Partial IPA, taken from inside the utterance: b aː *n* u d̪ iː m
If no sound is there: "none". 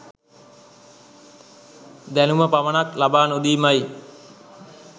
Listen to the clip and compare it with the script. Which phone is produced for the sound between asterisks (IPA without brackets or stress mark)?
n